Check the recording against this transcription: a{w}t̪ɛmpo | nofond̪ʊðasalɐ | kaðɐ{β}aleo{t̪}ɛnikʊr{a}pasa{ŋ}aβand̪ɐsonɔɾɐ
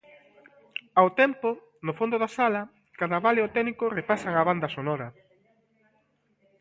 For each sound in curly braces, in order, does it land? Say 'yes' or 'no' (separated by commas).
yes, yes, yes, no, yes